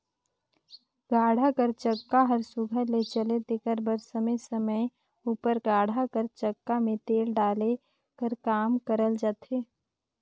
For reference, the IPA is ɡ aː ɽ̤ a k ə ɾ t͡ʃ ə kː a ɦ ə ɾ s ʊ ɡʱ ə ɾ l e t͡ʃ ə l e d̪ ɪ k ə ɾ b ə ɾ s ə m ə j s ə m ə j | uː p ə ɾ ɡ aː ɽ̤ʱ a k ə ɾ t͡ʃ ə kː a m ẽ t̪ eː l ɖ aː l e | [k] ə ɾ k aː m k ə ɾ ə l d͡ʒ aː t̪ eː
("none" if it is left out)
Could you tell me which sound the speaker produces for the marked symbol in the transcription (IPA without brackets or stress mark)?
k